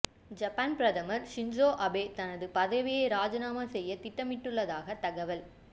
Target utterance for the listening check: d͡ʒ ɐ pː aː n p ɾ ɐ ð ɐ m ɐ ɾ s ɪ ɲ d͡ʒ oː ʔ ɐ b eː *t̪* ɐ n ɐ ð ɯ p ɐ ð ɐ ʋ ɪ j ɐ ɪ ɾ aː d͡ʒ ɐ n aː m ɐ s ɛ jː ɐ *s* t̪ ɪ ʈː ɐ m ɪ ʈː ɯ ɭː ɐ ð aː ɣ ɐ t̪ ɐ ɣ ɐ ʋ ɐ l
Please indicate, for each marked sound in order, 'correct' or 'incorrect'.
correct, incorrect

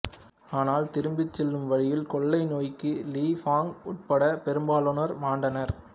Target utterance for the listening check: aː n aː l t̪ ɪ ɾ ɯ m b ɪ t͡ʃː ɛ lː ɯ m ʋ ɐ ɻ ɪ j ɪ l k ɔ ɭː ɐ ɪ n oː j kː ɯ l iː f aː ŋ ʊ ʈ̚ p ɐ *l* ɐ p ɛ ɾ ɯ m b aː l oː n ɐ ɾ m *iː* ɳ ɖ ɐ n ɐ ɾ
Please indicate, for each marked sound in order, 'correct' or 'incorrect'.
incorrect, incorrect

